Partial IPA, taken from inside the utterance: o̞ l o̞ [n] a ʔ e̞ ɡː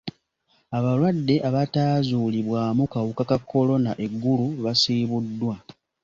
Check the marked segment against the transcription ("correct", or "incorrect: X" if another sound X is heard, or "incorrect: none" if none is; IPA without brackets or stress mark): correct